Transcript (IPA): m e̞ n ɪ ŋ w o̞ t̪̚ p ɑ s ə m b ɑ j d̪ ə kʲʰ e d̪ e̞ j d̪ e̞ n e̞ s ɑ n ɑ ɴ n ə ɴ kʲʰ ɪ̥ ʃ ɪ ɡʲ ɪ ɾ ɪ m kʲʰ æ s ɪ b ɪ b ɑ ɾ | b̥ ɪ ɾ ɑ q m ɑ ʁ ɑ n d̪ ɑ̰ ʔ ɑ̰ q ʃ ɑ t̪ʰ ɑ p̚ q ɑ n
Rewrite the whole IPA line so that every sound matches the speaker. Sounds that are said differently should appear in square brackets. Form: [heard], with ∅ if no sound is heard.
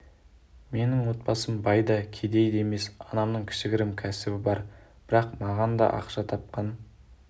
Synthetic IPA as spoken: m e̞ n ɪ ŋ w o̞ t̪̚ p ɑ s ə m b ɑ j d̪ [ɑ] kʲʰ e d̪ e̞ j d̪ e̞ [m] e̞ s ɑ n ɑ [m] n ə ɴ kʲʰ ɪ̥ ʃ ɪ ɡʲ ɪ ɾ ɪ m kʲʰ æ s ɪ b ɪ b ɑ ɾ | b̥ ɪ ɾ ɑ q m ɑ ʁ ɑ n d̪ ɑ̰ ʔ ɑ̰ q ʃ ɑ t̪ʰ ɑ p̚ q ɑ n